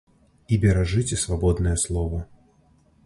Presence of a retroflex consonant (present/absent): present